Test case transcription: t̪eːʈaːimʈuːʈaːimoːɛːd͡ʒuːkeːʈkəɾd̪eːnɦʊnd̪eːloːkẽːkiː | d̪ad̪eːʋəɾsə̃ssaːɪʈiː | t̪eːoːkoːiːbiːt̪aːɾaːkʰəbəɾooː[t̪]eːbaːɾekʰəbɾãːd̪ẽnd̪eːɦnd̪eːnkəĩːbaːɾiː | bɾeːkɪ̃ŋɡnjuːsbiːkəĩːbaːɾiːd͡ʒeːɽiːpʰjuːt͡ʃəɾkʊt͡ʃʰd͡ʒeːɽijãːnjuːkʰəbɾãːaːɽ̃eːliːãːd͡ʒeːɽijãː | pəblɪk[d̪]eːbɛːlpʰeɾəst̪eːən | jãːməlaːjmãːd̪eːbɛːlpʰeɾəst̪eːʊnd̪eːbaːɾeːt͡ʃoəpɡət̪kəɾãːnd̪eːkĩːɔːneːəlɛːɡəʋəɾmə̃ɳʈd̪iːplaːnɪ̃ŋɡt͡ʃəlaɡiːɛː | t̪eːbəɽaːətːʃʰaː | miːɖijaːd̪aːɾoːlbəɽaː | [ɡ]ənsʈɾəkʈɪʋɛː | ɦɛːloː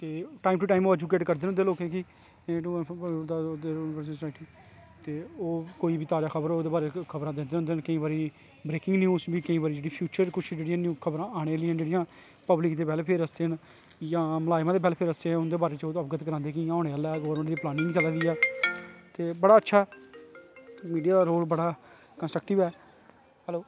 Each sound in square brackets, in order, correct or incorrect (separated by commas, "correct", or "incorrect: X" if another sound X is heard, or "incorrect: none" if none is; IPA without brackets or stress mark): incorrect: d̪, correct, incorrect: k